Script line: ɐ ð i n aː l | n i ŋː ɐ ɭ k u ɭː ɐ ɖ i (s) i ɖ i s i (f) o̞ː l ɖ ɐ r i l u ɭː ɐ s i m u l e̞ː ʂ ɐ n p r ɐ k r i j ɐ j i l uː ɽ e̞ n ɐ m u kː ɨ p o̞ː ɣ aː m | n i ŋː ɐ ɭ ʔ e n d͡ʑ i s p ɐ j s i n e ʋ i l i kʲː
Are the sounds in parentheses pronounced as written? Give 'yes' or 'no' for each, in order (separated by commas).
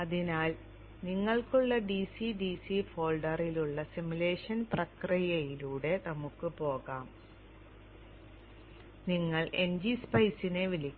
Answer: yes, yes